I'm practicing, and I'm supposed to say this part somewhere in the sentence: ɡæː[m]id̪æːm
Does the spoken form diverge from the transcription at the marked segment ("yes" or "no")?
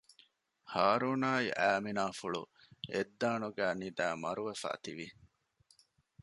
yes